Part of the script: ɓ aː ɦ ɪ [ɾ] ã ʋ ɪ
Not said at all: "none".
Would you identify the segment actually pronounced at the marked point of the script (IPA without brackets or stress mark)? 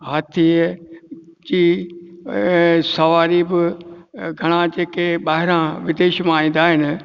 ɾ